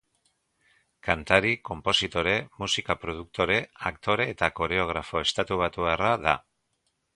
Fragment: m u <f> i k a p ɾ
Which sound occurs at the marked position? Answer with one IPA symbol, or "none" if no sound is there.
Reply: s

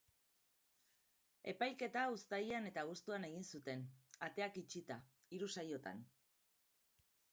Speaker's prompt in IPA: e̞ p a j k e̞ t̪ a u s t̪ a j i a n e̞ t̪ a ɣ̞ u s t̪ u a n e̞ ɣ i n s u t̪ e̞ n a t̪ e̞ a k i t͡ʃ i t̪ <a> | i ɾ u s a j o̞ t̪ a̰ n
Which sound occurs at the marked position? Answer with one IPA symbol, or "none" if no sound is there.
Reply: a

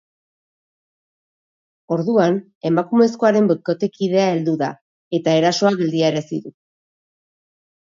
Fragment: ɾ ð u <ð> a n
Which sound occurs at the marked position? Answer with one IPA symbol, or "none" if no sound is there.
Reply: none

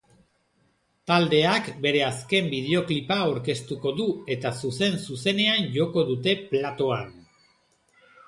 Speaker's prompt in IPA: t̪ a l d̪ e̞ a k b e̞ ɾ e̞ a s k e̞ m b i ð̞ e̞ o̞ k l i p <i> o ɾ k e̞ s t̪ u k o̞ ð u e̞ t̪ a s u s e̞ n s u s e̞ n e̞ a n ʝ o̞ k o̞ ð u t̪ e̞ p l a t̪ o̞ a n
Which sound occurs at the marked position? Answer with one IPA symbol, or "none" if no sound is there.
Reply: a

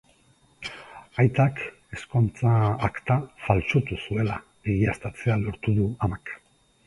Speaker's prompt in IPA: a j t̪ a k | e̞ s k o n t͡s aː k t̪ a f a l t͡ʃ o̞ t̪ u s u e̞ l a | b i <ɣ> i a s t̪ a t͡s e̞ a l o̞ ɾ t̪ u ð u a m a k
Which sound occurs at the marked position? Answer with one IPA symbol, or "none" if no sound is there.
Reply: ɣ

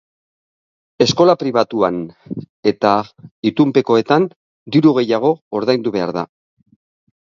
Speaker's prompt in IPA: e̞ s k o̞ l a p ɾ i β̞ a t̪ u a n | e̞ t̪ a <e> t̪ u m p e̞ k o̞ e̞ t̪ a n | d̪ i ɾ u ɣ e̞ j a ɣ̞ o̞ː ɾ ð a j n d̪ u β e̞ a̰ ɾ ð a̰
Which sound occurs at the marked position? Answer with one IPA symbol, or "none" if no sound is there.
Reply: i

